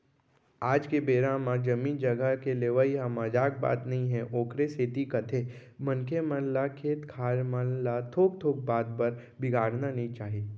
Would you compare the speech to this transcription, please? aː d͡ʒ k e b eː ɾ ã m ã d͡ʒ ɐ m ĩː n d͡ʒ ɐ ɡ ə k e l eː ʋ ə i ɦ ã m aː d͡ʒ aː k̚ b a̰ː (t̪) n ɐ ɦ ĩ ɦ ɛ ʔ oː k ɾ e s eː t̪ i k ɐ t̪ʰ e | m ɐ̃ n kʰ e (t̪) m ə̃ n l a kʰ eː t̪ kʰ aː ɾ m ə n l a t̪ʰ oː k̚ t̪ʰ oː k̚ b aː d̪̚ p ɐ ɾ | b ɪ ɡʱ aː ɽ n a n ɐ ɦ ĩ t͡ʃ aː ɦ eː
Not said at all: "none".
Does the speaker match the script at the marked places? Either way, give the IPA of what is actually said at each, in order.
t̪, none

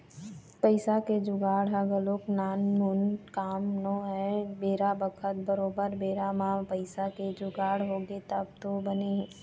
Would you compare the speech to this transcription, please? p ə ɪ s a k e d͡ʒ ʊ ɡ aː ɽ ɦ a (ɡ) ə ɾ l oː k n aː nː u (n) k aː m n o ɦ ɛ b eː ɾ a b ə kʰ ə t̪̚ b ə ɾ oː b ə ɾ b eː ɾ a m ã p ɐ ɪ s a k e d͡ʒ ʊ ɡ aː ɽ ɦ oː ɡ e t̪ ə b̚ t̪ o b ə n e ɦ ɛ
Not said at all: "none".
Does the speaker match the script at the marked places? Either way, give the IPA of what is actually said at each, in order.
ɡ, n

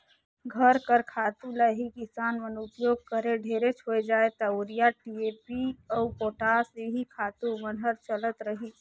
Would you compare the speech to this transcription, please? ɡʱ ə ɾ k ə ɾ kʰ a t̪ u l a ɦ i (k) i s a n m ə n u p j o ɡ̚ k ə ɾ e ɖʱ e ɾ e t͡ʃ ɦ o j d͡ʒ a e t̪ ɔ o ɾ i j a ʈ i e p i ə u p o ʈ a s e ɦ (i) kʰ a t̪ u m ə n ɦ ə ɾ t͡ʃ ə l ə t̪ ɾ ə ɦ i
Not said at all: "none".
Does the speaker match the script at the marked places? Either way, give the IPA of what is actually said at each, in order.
k, i

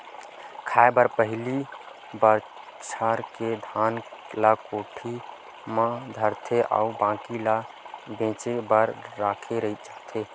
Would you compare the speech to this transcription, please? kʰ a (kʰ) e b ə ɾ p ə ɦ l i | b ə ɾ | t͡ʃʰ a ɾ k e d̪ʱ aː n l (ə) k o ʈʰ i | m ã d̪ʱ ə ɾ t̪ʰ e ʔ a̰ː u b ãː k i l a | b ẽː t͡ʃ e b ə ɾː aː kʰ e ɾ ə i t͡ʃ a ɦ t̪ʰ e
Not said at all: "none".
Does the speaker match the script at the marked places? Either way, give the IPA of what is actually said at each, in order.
none, a

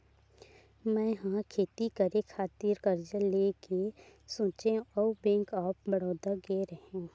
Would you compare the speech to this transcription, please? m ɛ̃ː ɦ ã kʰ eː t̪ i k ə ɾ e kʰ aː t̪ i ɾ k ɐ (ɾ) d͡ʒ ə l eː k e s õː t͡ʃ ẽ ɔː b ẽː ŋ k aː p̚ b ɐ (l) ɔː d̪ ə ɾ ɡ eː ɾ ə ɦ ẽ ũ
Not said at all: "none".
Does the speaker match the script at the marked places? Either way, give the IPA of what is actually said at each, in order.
ɾ, ɽ

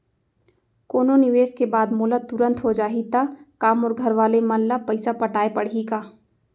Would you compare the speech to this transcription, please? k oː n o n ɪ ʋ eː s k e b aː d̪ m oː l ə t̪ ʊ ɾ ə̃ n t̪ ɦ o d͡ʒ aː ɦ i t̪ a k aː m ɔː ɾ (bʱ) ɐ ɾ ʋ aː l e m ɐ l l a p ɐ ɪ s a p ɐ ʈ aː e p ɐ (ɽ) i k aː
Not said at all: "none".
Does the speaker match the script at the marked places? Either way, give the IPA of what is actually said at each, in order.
ɡʱ, ɽ

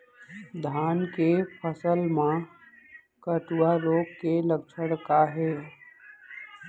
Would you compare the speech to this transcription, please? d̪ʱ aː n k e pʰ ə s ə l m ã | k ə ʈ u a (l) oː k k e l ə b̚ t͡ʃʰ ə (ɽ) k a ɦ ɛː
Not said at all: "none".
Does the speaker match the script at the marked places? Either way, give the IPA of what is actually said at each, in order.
ɾ, ɽ

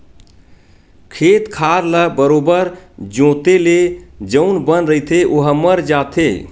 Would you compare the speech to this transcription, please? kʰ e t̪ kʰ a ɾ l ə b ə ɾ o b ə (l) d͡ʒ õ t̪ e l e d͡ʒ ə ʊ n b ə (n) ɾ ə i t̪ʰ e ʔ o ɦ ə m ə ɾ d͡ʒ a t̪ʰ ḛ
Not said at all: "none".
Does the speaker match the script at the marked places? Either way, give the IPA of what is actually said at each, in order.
ɾ, n

